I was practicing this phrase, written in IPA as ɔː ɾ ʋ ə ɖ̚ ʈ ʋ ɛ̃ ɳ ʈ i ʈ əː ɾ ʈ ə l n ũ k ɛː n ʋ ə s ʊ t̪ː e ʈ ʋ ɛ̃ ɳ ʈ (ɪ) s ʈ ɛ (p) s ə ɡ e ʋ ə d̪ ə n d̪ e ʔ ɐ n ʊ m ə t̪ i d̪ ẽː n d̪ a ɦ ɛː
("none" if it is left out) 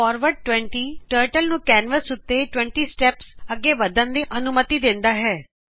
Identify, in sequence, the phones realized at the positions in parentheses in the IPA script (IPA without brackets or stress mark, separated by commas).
i, p